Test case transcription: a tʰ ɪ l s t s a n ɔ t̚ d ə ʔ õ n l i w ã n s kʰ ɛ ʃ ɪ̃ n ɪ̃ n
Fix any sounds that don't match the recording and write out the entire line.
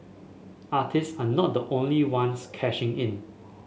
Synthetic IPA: a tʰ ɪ s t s a n ɔ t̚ d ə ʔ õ n l i w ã n s kʰ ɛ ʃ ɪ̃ ŋ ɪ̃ n